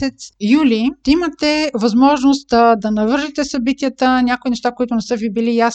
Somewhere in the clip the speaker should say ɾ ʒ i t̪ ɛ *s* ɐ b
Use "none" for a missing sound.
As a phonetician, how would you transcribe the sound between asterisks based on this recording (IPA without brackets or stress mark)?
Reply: s